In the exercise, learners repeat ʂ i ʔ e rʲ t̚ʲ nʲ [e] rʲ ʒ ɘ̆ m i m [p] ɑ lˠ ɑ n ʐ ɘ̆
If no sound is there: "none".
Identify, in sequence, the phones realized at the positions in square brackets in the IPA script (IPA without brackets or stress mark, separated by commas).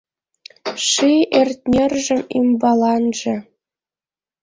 e, b